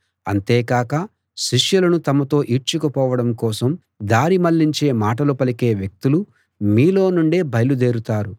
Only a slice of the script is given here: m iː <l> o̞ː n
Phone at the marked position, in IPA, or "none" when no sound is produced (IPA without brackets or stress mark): l